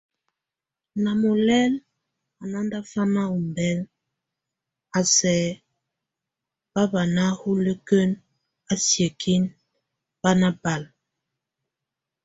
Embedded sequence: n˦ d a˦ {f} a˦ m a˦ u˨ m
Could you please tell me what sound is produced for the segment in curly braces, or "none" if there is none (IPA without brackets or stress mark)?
f